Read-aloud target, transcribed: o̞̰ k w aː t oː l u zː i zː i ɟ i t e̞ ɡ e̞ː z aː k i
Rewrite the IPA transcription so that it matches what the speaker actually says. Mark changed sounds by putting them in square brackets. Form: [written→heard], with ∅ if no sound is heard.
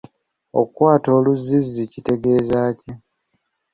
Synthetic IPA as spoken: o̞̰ k w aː t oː l u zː i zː i [ɟ→c] i t e̞ ɡ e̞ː z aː [k→c] i

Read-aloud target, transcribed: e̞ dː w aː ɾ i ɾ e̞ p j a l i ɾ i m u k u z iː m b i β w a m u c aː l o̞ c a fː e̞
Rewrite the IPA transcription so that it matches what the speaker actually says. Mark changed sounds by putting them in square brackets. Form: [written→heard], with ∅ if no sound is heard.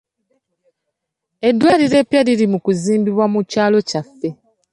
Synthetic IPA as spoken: e̞ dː w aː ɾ i ɾ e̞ p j a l i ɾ i m u k u z iː m b i β w a m u c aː l o̞ c a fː e̞

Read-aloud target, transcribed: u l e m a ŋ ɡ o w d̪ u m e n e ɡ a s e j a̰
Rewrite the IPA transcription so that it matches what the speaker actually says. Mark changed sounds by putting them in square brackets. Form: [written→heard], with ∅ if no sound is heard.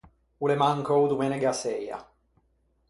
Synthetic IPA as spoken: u l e m a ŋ [ɡ→k] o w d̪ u m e n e ɡ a s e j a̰

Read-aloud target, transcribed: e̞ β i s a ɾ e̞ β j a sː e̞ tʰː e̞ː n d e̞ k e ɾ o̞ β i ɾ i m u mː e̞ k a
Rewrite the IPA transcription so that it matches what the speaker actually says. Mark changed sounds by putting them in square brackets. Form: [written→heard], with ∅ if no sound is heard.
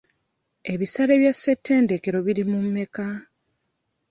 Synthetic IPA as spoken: e̞ β i s a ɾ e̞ β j a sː e̞ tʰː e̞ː n d e̞ k e ɾ o̞ β i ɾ i m u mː e̞ k a

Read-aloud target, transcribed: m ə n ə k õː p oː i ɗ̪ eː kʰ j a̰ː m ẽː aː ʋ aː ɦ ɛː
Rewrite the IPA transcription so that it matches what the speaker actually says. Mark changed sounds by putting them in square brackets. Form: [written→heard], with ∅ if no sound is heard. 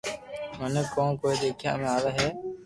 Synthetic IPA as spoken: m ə n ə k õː [p→k] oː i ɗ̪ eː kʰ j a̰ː m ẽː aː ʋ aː ɦ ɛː

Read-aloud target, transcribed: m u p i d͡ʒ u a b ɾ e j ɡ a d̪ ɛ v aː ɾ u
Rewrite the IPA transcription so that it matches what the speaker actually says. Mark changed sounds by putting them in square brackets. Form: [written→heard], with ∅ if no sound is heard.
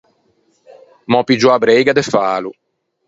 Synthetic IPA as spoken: m [u→ɔ] p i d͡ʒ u a b ɾ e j ɡ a d̪ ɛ [v→f] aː [ɾ→l] u

